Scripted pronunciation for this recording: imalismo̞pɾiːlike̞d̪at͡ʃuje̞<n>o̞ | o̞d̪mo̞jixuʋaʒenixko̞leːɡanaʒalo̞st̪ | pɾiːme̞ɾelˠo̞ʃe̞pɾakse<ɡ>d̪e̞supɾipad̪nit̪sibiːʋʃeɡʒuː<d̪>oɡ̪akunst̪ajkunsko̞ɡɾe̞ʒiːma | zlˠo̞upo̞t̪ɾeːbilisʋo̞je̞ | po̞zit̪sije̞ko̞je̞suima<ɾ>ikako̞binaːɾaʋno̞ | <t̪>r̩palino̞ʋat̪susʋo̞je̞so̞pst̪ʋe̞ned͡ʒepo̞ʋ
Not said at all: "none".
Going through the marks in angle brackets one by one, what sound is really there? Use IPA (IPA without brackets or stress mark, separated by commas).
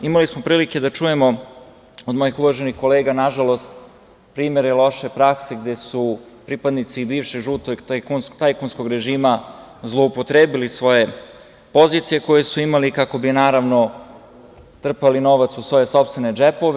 m, ɡ, t̪, l, t̪